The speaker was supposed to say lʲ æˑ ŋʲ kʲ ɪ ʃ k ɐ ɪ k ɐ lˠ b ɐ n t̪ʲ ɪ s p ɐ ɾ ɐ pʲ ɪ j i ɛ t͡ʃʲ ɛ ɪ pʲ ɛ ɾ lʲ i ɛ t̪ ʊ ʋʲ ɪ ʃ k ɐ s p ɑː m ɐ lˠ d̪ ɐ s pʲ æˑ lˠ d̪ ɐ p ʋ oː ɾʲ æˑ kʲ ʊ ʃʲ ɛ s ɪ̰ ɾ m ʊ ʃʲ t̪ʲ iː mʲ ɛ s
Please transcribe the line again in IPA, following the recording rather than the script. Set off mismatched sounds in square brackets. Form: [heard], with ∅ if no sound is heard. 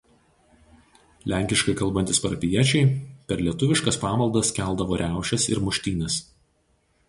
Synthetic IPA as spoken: lʲ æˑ ŋʲ kʲ ɪ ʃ k ɐ ɪ k ɐ lˠ b ɐ n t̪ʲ ɪ s p ɐ ɾ ɐ pʲ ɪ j i ɛ t͡ʃʲ ɛ ɪ pʲ ɛ ɾ lʲ i ɛ t̪ ʊ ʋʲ ɪ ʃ k ɐ s p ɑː m ɐ lˠ d̪ ɐ s [kʲ] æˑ lˠ d̪ ɐ [∅] ʋ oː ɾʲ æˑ [∅] ʊ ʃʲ ɛ s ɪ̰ ɾ m ʊ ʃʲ t̪ʲ iː [nʲ] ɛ s